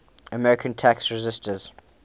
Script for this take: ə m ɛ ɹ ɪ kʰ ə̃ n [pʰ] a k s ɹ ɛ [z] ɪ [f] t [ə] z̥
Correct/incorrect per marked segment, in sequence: incorrect, correct, incorrect, correct

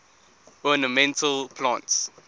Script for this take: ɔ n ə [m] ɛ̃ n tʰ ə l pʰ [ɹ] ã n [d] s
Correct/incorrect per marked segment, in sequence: correct, incorrect, incorrect

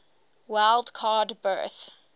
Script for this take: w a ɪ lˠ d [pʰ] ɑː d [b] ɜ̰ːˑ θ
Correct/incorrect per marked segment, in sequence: incorrect, correct

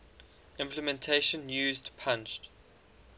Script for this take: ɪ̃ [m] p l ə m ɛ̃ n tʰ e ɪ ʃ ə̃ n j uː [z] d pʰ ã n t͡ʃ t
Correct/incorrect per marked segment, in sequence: correct, correct

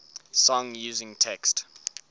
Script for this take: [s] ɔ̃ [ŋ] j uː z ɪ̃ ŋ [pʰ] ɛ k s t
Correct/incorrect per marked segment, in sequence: correct, correct, incorrect

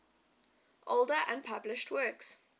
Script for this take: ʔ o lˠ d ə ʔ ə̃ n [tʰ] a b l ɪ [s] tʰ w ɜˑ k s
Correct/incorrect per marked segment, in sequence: incorrect, incorrect

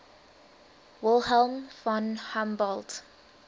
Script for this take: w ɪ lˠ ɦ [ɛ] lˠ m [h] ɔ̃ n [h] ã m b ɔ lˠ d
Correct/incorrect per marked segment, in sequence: correct, incorrect, correct

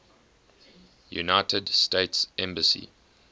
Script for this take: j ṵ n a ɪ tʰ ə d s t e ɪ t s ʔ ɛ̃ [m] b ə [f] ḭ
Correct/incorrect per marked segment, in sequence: correct, incorrect

